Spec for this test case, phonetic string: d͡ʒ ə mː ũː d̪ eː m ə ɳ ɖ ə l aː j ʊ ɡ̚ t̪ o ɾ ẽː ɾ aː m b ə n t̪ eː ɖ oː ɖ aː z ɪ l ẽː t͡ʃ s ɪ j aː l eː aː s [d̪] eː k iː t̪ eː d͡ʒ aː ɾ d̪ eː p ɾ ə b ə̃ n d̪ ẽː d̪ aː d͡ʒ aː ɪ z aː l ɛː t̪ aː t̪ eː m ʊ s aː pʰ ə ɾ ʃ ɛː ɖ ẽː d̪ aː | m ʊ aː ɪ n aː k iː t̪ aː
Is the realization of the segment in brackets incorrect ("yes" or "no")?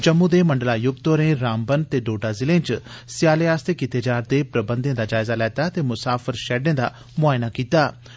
yes